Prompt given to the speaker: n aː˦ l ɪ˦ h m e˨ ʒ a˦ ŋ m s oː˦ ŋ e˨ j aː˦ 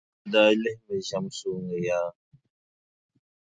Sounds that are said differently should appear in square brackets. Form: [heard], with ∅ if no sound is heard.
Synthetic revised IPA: [d] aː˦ l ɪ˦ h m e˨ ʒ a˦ [∅] m s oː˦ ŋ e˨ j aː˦